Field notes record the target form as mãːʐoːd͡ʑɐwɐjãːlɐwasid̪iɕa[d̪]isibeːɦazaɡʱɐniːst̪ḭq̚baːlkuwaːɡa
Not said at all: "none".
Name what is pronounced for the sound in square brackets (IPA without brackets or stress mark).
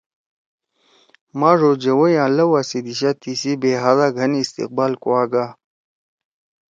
t̪